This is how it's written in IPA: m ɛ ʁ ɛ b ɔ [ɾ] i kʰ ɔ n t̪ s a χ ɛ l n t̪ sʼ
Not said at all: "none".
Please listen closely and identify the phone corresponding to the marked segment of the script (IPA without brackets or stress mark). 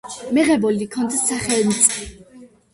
l